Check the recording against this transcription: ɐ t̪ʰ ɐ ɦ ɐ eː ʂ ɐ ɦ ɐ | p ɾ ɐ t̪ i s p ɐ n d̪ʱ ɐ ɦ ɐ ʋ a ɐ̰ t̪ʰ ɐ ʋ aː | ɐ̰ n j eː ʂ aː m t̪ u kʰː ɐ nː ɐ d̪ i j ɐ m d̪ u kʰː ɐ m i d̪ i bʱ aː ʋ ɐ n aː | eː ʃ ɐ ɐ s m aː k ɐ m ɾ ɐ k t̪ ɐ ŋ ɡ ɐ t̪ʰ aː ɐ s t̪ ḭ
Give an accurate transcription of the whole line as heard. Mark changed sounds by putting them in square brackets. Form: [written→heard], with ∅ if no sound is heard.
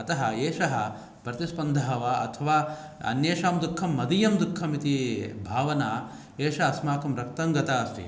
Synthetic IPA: ɐ [t̪ʰ→t̪] ɐ ɦ ɐ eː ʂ ɐ ɦ ɐ | p ɾ ɐ t̪ i s p ɐ n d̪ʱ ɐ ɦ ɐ ʋ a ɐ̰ t̪ʰ ɐ ʋ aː | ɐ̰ n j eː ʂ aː m [t̪→d̪] u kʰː ɐ [nː→mː] ɐ d̪ i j ɐ m d̪ u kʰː ɐ m i [d̪→t̪] i bʱ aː ʋ ɐ n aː | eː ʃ ɐ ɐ s m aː k ɐ m ɾ ɐ k t̪ ɐ ŋ ɡ ɐ [t̪ʰ→t̪] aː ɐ s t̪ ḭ